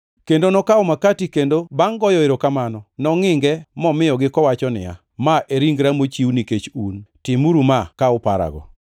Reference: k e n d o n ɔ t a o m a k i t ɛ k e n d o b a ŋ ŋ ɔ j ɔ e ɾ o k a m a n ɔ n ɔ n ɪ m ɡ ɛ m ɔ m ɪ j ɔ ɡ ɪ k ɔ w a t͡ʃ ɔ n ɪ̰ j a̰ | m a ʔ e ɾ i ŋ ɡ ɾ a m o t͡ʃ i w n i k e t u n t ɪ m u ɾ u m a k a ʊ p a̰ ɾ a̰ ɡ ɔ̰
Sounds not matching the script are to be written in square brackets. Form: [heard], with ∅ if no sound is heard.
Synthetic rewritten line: k e n d o n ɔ [k] a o m a k [a] t [i] k e n d o b a ŋ [ɡ] ɔ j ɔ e ɾ o k a m a n ɔ n ɔ [ŋ] ɪ [ŋ] ɡ ɛ m ɔ m ɪ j ɔ ɡ ɪ k ɔ w a t͡ʃ ɔ n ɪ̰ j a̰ | m a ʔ e ɾ i ŋ ɡ ɾ a m o t͡ʃ i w n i k e [t͡ʃ] u n t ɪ m u ɾ u m a k a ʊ p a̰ ɾ a̰ ɡ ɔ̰